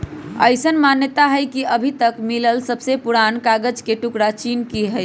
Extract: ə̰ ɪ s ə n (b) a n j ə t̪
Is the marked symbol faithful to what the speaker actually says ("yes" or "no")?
no